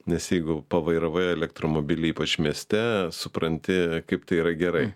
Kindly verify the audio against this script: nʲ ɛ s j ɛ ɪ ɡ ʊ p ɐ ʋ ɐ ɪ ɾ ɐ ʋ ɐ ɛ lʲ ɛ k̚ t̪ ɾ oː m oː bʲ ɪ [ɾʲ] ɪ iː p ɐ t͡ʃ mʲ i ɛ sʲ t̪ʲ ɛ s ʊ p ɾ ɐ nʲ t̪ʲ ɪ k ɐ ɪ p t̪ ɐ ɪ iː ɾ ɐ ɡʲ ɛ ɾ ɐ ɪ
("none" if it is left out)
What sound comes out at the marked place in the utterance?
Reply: lʲ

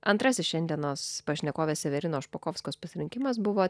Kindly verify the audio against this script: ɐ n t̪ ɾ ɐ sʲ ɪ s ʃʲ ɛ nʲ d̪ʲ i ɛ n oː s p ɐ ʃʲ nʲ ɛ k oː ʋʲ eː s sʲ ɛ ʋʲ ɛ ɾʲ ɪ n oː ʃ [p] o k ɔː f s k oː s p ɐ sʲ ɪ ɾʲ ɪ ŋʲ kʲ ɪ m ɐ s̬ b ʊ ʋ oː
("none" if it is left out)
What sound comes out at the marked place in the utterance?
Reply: p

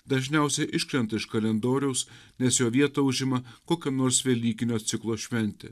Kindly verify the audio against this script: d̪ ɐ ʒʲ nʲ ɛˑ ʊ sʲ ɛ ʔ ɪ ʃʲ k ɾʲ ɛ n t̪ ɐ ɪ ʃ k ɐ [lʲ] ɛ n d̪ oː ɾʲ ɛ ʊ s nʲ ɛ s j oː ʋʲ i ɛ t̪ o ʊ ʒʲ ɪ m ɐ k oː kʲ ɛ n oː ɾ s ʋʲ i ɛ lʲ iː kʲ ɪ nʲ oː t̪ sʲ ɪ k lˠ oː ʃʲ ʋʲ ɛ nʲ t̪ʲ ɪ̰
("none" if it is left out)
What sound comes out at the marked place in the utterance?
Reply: lʲ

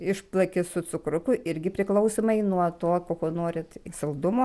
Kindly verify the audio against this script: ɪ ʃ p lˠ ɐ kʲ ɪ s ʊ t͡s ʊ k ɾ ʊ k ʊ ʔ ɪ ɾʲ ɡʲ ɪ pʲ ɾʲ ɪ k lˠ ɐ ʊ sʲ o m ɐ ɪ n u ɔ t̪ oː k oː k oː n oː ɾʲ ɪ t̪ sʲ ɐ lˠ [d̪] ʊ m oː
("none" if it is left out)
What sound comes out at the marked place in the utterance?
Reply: d̪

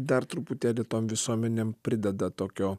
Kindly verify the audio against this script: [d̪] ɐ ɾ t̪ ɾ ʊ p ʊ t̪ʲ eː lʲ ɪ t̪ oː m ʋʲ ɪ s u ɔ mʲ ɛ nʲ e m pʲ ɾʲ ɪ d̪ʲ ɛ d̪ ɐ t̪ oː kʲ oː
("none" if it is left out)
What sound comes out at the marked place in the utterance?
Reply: d̪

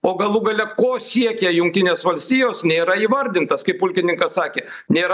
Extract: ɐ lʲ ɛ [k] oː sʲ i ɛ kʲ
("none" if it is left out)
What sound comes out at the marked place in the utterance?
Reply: k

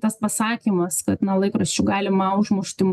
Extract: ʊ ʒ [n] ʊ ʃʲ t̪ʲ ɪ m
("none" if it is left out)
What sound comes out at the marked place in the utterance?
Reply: m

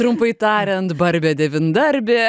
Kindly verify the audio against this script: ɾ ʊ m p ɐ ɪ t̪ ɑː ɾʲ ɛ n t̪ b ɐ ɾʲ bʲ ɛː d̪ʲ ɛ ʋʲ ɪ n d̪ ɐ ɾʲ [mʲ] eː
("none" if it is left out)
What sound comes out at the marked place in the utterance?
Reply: bʲ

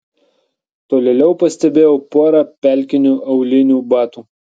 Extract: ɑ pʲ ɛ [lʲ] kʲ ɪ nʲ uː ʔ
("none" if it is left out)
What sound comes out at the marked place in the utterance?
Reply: lʲ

